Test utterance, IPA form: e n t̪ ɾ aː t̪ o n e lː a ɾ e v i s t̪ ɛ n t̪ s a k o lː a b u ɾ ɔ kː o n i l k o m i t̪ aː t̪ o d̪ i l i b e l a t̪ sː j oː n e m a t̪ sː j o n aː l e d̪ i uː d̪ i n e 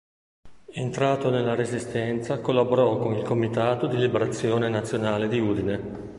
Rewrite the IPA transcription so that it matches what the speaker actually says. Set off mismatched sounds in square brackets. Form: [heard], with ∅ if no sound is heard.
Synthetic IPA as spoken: e n t̪ ɾ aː t̪ o n e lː a ɾ e [z] i s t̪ ɛ n t̪ s a k o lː a b [o] ɾ ɔ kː o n i l k o m i t̪ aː t̪ o d̪ i l i b e [ɾ] a t̪ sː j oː n e [n] a t̪ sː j o n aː l e d̪ i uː d̪ i n e

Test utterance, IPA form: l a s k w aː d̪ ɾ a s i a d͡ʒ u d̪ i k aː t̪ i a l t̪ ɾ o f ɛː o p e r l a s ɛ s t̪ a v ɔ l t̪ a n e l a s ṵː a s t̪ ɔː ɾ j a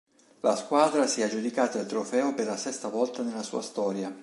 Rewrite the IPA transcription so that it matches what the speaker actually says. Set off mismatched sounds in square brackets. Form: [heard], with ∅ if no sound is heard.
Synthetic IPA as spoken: l a s k w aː d̪ ɾ a s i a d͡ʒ u d̪ i k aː t̪ [a] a l t̪ ɾ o f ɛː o p e r l a s ɛ s t̪ a v ɔ l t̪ a n e l a s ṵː a s t̪ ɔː ɾ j a

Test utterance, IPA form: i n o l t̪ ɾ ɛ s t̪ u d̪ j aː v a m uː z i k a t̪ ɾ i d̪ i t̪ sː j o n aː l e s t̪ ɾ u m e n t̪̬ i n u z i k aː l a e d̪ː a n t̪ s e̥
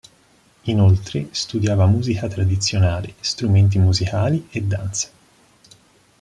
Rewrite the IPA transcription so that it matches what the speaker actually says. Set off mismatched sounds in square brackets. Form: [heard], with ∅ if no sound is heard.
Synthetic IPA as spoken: i n o l t̪ ɾ [e] s t̪ u d̪ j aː v a m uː z i k a t̪ ɾ [a] d̪ i t̪ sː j o n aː l e s t̪ ɾ u m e n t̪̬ i [m] u z i k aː l [i] e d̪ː a n t̪ s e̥

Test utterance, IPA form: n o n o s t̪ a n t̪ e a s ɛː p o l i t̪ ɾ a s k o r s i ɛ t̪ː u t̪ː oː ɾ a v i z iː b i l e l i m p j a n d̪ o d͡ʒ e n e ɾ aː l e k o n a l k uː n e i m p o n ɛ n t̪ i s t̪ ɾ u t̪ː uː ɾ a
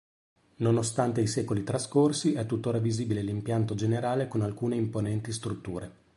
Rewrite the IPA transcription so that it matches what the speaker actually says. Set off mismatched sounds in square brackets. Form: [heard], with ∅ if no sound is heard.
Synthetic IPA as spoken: n o n o s t̪ a n t̪ e [i] s ɛː [k] o l i t̪ ɾ a s k o r s i ɛ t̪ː u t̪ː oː ɾ a v i z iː b i l e l i m p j a n [t̪] o d͡ʒ e n e ɾ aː l e k o n a l k uː n e i m p o n ɛ n t̪ i s t̪ ɾ u t̪ː uː ɾ [e]

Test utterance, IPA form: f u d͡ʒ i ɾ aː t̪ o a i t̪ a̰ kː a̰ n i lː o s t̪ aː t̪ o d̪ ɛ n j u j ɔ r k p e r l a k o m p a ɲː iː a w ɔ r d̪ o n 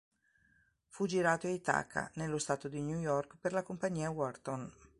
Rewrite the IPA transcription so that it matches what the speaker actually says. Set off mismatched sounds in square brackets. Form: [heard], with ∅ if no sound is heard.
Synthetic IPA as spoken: f u d͡ʒ i ɾ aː t̪ o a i t̪ a̰ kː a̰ n [e] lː o s t̪ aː t̪ o d̪ [i] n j u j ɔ r k p e r l a k o m p a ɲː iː a w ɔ r [t̪] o n

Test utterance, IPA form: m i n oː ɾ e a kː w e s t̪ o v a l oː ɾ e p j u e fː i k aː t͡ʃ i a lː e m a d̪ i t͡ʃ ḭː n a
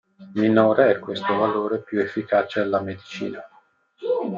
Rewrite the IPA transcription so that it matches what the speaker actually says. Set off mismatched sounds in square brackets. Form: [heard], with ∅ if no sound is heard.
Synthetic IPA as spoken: m i n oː ɾ e [ɛ] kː w e s t̪ o v a l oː ɾ e p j u e fː i k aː t͡ʃ [e] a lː [a] m [e] d̪ i t͡ʃ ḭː n a

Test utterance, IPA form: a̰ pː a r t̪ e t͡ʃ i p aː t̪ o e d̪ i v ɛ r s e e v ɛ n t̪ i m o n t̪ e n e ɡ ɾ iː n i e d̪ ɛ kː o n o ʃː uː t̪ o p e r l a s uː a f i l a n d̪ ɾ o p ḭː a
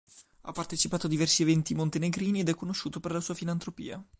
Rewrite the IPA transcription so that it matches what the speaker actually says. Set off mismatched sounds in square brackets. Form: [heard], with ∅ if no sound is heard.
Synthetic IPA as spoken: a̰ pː a r t̪ e t͡ʃ i p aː t̪ o [a] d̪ i v ɛ r s [i] e v ɛ n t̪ i m o n t̪ e n e ɡ ɾ iː n i e d̪ ɛ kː o n o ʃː uː t̪ o p e r l a s uː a f i l a n [t̪] ɾ o p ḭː a

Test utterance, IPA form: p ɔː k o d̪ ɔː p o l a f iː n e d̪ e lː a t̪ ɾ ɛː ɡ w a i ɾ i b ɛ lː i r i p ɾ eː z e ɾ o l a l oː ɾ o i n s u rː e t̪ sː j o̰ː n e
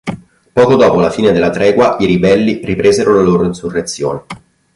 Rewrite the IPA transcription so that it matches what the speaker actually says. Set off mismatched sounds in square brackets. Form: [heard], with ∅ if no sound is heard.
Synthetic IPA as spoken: p ɔː k o d̪ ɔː p o l a f iː n e d̪ e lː a t̪ ɾ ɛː ɡ w a i ɾ i b ɛ lː i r i p ɾ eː z e ɾ o l a l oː ɾ o i n s u rː e t̪ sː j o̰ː n e

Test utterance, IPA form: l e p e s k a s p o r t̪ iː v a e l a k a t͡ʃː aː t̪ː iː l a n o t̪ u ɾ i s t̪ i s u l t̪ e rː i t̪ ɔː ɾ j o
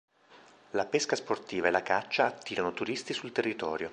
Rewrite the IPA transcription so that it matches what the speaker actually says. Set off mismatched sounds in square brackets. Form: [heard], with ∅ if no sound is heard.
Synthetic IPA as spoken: l [a] p e s k a s p o r t̪ iː v a e l a k a t͡ʃː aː t̪ː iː [ɾ] a n o t̪ u ɾ i s t̪ i s u l t̪ e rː i t̪ ɔː ɾ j o

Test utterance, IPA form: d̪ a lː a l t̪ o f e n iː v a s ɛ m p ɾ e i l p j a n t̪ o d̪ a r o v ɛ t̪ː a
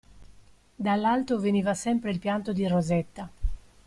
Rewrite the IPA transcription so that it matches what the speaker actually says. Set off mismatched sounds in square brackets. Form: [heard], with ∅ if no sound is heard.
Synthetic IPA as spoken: d̪ a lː a l t̪ o [v] e n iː v a s ɛ m p ɾ e i l p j a n t̪ o d̪ [i] r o [z] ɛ t̪ː a

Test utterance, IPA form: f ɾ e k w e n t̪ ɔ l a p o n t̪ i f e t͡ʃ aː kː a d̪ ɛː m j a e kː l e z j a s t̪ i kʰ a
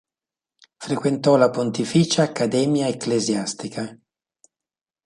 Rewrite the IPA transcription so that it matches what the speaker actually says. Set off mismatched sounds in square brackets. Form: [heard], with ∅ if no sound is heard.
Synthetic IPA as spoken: f ɾ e k w e n t̪ ɔ l a p o n t̪ i f [i] t͡ʃ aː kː a d̪ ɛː m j a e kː l e z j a s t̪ i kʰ a

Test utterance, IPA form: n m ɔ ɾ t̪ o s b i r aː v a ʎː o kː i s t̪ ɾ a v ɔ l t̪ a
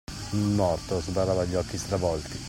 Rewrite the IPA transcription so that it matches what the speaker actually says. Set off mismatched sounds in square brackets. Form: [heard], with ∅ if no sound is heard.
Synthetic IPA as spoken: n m ɔ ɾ t̪ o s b [a] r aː v a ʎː [ɔ] kː i s t̪ ɾ a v ɔ l t̪ [i]

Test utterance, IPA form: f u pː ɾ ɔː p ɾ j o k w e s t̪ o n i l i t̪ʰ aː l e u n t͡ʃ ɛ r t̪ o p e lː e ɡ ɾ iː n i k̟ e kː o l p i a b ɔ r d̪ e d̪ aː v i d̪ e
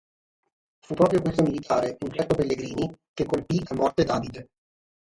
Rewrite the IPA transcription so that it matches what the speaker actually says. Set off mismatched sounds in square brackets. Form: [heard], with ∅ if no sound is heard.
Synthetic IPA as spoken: f u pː ɾ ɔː p ɾ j o k w e s t̪ o [m] i l i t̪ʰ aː [ɾ] e u n t͡ʃ ɛ r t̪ o p e lː e ɡ ɾ iː n i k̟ e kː o l p i a [m] ɔ r [t̪] e d̪ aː v i d̪ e

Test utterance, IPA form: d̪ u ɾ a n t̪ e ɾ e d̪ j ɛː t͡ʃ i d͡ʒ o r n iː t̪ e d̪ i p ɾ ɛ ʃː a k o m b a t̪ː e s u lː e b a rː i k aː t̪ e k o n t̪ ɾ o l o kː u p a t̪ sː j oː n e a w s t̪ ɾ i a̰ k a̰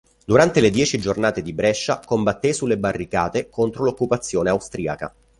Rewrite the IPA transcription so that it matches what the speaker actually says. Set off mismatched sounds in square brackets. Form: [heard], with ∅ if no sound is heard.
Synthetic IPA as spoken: d̪ u ɾ a n t̪ e [l] e d̪ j ɛː t͡ʃ i d͡ʒ o r n [aː] t̪ e d̪ i [b] ɾ ɛ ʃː a k o m b a t̪ː e s u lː e b a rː i k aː t̪ e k o n t̪ ɾ o l o kː u p a t̪ sː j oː n e a w s t̪ ɾ i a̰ k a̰

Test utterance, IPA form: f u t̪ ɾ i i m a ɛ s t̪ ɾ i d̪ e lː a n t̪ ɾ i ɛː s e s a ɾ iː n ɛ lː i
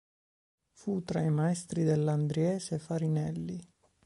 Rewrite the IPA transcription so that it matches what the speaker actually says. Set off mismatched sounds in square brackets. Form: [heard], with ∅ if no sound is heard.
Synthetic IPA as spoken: f u t̪ ɾ [a] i m a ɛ s t̪ ɾ i d̪ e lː a n [d̪] ɾ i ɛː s e [f] a ɾ [i] n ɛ lː i

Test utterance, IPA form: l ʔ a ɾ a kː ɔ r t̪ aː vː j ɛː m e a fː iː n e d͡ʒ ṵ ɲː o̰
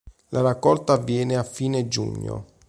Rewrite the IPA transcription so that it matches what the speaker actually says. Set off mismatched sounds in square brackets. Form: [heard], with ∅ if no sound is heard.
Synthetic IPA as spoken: l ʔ a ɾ a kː ɔ [l] t̪ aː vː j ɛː [n] e a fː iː n e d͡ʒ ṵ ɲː o̰

